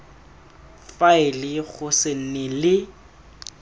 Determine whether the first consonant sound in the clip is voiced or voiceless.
voiceless